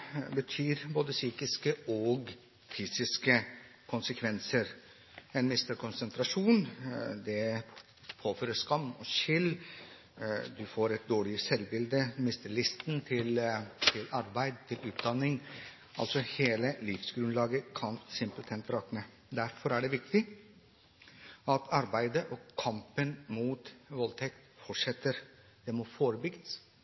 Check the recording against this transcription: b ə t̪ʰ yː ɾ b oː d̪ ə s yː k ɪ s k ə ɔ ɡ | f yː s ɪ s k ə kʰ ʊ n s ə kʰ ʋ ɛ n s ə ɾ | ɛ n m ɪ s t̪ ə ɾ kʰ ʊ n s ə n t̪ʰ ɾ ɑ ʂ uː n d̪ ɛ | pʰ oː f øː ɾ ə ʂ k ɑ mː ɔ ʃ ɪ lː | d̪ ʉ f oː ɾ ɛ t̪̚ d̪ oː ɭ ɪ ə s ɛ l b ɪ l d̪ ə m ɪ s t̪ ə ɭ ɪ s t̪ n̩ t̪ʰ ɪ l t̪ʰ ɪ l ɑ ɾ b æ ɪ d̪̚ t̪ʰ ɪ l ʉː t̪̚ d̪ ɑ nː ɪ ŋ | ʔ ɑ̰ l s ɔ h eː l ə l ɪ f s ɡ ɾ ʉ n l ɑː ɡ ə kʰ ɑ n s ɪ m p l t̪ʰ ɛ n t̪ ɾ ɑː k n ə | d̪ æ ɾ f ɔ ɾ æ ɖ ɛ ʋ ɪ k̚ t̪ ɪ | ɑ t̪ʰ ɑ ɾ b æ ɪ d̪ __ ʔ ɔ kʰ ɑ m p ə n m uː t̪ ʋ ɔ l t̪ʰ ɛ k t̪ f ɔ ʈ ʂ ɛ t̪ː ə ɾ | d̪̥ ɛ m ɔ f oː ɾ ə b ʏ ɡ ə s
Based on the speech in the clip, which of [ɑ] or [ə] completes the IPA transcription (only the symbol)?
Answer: ə